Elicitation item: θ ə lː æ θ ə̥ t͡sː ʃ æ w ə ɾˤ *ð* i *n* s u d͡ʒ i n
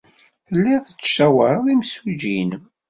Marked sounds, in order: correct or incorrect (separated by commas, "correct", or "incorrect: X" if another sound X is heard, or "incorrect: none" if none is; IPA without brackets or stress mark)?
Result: correct, incorrect: m